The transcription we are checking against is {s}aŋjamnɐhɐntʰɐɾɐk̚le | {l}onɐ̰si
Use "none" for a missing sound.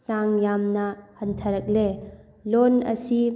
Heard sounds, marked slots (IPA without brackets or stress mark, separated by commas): s, l